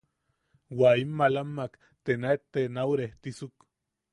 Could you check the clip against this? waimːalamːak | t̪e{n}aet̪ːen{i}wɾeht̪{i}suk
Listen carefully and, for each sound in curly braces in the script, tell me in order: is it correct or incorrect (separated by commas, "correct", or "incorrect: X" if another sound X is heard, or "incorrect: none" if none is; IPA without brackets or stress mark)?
correct, incorrect: a, correct